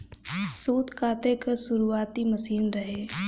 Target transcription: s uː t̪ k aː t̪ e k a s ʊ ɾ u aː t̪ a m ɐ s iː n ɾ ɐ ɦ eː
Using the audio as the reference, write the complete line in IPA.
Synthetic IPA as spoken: s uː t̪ k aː t̪ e k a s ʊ ɾ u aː t̪ i m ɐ s iː n ɾ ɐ ɦ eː